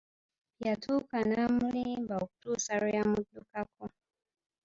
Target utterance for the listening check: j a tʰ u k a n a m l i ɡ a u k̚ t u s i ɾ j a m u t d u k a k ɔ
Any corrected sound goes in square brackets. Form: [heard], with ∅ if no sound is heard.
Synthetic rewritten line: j a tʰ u k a n a m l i [b] a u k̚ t u s [a] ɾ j a m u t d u k a k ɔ